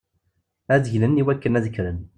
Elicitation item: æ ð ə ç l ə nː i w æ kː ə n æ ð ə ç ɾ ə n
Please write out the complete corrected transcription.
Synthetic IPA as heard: æ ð ə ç l ə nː i w æ kː ə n æ ð ə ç ɾ ə n